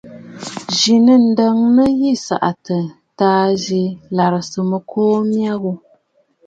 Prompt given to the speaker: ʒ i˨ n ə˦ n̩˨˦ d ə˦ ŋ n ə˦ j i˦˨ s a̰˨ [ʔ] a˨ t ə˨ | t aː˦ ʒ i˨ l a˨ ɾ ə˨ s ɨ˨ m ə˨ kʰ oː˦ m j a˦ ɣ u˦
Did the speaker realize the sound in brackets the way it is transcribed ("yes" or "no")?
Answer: yes